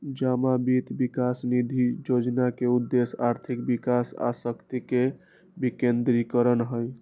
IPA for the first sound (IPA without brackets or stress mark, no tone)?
d͡ʒ